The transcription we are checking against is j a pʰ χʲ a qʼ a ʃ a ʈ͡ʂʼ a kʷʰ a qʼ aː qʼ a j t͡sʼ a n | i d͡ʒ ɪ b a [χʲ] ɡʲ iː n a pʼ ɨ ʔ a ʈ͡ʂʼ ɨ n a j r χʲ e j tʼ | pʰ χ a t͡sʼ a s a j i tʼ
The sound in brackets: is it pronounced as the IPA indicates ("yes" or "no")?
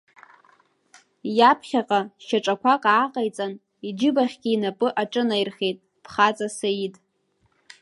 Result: yes